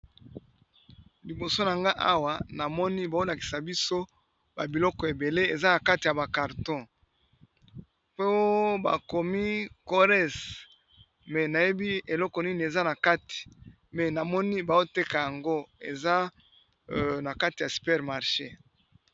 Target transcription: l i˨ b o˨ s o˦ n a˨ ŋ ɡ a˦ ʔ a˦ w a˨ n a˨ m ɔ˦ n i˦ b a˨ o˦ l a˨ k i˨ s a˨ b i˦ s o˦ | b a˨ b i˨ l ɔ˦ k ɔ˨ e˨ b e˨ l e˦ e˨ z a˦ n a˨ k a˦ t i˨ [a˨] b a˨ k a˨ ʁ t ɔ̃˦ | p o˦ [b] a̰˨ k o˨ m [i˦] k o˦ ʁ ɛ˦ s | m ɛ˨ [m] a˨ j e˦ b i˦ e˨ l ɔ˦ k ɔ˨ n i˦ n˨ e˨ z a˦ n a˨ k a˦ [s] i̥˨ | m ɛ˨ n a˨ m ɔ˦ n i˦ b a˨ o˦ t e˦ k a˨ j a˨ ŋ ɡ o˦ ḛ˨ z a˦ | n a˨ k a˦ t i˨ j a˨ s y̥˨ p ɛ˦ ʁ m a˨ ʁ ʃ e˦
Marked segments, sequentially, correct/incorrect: correct, correct, correct, incorrect: n, incorrect: t

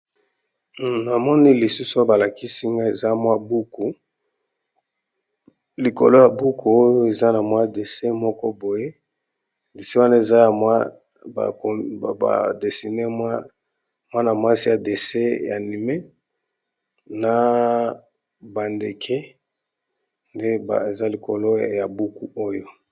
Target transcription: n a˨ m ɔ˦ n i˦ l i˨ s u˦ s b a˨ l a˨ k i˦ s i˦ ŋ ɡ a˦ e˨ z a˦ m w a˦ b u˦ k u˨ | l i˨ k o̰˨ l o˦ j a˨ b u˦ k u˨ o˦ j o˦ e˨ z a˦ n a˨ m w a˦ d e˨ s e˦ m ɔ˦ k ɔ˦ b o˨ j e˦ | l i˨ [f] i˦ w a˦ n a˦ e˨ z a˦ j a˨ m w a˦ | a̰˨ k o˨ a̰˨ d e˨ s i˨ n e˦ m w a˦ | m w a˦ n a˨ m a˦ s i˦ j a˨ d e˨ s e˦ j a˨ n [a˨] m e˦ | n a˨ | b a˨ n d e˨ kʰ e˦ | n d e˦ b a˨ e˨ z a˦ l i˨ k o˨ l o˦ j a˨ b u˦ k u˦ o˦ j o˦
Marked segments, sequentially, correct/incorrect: incorrect: s, incorrect: i˨

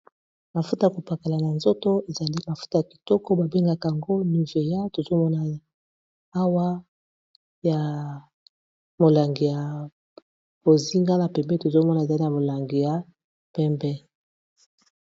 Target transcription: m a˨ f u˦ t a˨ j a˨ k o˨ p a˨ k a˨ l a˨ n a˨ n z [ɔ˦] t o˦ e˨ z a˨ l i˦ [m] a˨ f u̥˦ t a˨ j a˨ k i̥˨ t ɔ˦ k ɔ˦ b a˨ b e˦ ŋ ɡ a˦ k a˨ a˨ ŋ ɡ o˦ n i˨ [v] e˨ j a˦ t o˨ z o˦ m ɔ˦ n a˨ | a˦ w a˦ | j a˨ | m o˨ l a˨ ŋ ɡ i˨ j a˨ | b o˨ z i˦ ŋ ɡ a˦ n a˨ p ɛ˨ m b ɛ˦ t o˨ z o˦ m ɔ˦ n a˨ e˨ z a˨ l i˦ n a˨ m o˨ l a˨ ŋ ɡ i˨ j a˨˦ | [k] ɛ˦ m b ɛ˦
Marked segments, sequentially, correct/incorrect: incorrect: o˦, correct, correct, incorrect: p

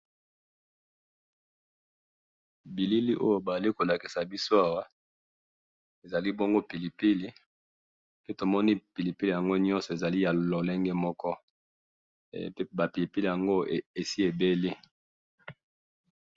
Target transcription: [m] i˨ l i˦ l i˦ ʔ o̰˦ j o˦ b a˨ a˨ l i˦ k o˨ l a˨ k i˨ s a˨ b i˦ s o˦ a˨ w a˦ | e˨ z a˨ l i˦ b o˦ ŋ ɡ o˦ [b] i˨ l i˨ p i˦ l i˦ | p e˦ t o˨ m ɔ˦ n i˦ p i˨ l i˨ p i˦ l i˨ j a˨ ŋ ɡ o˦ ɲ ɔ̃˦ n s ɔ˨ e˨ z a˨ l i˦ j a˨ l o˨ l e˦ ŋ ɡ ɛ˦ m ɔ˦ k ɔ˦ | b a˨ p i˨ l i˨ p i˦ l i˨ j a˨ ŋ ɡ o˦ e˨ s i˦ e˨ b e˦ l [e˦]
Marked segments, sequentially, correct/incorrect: incorrect: b, incorrect: p, incorrect: i˦

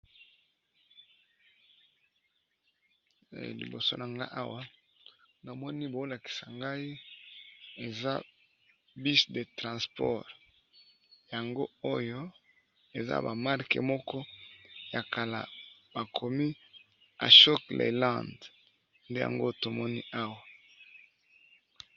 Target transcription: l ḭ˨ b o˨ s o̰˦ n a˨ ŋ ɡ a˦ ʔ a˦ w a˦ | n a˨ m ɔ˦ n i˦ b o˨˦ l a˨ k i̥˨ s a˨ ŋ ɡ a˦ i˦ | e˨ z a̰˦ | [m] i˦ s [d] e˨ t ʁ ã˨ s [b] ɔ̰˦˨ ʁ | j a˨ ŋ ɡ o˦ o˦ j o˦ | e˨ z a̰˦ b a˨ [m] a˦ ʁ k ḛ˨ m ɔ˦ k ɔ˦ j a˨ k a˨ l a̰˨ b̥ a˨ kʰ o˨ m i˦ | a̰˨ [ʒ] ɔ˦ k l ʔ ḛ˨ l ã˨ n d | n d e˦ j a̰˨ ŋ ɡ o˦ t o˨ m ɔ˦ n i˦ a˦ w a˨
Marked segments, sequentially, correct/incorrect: incorrect: b, correct, incorrect: p, correct, incorrect: ʃ

